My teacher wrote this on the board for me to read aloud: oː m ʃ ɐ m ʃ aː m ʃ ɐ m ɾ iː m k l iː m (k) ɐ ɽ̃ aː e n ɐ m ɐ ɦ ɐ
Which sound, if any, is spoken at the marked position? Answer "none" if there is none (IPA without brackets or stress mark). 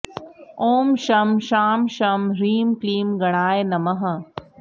ɡ